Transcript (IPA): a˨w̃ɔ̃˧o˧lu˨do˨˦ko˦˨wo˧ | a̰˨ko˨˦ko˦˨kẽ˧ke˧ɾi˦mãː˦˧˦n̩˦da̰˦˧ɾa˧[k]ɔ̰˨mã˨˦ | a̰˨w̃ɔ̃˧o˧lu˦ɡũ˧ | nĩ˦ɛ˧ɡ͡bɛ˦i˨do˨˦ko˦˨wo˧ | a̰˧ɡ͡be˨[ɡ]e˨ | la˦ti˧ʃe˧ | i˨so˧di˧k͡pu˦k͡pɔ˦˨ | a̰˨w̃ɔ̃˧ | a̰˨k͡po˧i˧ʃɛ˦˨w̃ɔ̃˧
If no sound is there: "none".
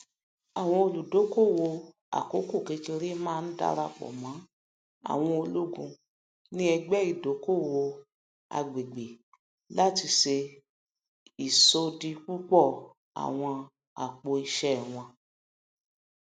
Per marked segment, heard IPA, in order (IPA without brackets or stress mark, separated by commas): k͡p, ɡ͡b